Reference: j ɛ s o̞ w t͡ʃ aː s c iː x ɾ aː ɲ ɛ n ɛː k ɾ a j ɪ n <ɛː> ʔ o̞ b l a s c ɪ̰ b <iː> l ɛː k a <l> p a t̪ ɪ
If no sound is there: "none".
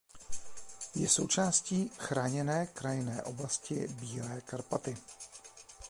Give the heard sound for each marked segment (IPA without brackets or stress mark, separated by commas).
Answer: ɛː, iː, ɾ